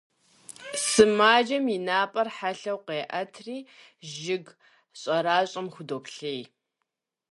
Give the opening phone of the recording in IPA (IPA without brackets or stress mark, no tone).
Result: s